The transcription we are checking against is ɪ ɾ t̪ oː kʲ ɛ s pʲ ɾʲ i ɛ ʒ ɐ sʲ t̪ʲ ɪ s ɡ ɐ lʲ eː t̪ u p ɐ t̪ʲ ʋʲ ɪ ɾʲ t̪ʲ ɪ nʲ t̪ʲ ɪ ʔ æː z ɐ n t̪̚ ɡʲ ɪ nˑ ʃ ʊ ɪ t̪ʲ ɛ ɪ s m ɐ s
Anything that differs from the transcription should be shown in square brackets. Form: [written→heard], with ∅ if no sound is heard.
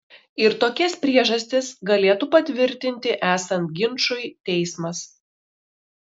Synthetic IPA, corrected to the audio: ɪ ɾ t̪ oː kʲ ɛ s pʲ ɾʲ i ɛ ʒ ɐ sʲ t̪ʲ ɪ s ɡ ɐ lʲ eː t̪ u p ɐ t̪ʲ ʋʲ ɪ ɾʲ t̪ʲ ɪ nʲ t̪ʲ ɪ ʔ æː [z→s] ɐ n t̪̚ ɡʲ ɪ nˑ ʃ ʊ ɪ t̪ʲ ɛ ɪ s m ɐ s